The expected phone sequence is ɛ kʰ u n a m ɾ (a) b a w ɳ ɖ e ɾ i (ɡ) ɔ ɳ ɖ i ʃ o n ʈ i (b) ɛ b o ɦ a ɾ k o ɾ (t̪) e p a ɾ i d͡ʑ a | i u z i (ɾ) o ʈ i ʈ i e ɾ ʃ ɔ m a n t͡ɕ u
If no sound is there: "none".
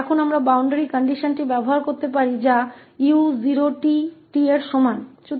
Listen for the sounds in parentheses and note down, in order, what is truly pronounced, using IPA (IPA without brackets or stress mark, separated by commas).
a, k, b, t̪, ɾ